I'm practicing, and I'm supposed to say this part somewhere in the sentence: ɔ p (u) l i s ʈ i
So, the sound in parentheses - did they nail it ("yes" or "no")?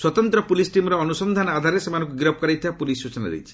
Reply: yes